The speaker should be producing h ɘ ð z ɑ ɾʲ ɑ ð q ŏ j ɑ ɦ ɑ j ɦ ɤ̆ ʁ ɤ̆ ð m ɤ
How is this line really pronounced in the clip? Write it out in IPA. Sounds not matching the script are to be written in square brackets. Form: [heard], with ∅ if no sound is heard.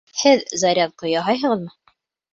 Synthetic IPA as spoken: h ɘ ð z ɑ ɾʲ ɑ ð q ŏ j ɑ ɦ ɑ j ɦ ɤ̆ ʁ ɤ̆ ð m ɤ